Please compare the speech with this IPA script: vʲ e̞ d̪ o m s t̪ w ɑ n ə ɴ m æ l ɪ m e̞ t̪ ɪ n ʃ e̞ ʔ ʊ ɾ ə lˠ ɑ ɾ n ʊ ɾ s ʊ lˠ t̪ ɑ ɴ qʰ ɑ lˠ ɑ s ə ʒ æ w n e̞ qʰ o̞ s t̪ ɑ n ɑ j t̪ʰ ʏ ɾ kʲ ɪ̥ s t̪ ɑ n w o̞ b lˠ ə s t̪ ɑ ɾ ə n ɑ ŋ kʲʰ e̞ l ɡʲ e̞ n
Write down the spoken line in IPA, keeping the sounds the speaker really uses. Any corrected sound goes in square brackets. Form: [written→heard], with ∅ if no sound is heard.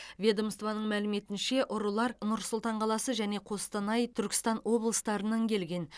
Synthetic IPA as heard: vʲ e̞ d̪ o m s t̪ [w→v] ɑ n ə ɴ m æ l ɪ m e̞ t̪ ɪ n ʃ e̞ ʔ ʊ ɾ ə lˠ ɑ ɾ n ʊ ɾ s ʊ lˠ t̪ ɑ ɴ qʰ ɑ lˠ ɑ s ə ʒ æ [w→∅] n e̞ qʰ o̞ s t̪ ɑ n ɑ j t̪ʰ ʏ ɾ kʲ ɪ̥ s t̪ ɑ n w o̞ b lˠ ə s t̪ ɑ ɾ ə n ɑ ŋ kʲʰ e̞ l ɡʲ e̞ n